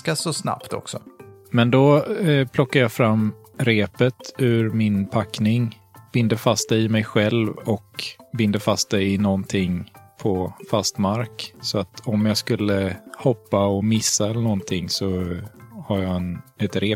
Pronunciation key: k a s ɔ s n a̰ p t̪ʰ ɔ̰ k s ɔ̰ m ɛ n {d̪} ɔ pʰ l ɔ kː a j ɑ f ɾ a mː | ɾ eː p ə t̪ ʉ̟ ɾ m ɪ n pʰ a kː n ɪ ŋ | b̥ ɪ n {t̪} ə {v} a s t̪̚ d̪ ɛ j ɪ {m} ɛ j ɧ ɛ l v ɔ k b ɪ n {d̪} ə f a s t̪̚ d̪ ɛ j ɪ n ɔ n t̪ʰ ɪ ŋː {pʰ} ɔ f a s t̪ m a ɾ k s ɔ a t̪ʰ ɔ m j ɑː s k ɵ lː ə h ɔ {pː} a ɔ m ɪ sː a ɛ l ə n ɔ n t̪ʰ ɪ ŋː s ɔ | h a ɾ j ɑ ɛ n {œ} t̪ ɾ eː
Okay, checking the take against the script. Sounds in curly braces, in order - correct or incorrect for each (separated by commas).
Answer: correct, incorrect, incorrect, correct, correct, correct, correct, incorrect